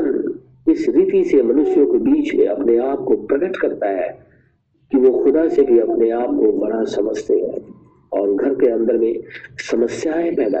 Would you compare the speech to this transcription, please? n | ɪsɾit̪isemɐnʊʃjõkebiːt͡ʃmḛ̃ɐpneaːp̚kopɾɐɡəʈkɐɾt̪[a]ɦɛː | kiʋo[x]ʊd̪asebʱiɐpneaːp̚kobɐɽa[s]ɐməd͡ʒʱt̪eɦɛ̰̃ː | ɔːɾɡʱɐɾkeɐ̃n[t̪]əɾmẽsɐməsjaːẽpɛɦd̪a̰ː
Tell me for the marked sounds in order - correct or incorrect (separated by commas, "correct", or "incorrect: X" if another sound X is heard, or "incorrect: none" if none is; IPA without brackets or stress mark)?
correct, correct, correct, incorrect: d̪